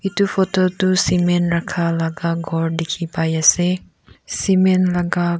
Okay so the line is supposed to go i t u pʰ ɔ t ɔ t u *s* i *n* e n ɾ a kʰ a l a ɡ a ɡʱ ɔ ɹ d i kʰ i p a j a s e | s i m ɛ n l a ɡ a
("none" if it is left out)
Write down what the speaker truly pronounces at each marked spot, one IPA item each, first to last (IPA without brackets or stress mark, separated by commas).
s, m